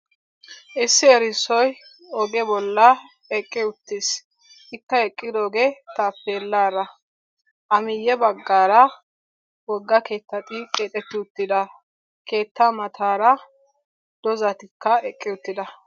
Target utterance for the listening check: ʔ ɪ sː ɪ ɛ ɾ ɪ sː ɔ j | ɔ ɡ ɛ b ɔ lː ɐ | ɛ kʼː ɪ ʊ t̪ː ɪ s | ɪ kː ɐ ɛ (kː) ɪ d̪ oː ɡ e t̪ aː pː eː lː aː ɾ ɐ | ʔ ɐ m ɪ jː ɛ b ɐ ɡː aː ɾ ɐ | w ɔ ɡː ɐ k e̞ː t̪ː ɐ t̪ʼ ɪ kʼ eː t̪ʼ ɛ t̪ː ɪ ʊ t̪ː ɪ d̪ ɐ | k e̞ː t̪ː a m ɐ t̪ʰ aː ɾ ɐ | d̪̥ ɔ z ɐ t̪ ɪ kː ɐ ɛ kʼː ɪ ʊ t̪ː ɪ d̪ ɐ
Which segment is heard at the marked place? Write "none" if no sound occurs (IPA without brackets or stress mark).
kʼː